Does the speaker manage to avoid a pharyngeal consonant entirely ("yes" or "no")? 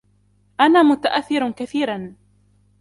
yes